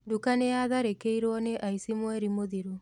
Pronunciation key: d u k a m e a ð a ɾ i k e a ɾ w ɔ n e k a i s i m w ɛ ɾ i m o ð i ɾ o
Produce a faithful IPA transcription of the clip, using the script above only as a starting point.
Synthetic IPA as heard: d u k a n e a ð a ɾ e k e i ɾ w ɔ n e ʔ a i s i m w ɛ ɾ i m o ð i ɾ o